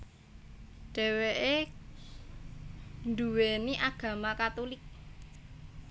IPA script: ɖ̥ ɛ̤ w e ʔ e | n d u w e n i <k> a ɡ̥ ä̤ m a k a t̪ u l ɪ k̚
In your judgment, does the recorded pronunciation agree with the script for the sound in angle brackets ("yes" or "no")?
no